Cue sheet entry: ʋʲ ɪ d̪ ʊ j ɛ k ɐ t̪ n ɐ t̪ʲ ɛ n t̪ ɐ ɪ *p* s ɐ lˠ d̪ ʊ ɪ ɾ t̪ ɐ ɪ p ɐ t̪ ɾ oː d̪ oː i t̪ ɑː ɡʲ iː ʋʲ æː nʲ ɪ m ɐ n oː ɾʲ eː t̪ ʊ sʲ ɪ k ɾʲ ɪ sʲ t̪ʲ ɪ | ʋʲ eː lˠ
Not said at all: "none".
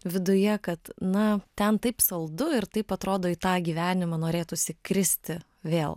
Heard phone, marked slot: p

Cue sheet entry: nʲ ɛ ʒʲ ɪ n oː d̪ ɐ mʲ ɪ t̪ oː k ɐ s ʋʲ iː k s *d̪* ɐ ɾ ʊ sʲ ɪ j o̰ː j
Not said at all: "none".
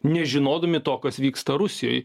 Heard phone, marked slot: t̪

